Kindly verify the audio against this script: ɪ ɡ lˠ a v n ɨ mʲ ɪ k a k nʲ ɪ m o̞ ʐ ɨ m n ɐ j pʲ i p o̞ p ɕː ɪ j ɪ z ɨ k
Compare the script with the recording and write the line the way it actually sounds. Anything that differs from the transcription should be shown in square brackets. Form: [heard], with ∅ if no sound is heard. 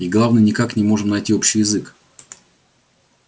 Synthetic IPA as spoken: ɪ ɡ lˠ a v n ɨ [nʲ] ɪ k a k nʲ ɪ m o̞ ʐ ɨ m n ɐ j [tʲ] i [∅] o̞ p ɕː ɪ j ɪ z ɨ k